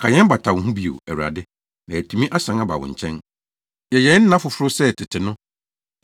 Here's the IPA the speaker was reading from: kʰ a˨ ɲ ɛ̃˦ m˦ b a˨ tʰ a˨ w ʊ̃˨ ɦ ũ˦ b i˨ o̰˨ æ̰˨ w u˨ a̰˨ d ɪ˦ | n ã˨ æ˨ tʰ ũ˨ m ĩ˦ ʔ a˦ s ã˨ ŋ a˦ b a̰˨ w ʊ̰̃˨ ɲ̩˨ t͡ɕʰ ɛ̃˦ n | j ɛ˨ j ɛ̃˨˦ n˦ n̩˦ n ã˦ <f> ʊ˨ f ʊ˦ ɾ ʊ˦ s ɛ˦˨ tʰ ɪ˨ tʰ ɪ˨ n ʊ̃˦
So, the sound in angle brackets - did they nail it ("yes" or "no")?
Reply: yes